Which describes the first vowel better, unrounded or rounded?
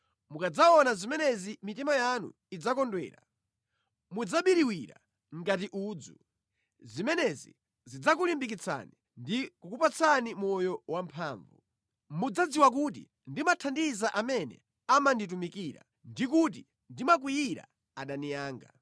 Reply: rounded